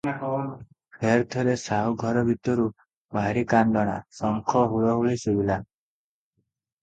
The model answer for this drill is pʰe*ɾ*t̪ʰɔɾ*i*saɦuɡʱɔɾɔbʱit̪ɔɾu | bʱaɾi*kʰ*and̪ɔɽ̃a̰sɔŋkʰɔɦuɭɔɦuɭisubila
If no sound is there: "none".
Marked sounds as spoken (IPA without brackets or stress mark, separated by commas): ɾ, e, k